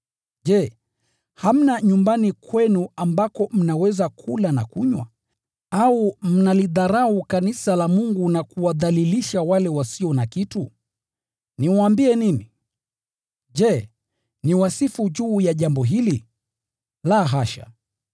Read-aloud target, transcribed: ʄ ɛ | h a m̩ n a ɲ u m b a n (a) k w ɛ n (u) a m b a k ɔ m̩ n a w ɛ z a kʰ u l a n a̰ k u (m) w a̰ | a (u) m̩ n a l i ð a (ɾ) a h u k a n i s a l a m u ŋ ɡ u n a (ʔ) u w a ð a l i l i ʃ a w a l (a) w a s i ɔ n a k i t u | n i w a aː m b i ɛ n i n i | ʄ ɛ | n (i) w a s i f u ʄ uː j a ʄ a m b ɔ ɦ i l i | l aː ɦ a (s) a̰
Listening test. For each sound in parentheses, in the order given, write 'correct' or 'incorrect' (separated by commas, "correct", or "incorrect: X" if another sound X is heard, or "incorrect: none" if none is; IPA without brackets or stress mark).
incorrect: i, correct, incorrect: ɲ, correct, correct, incorrect: k, incorrect: ɛ, correct, incorrect: ʃ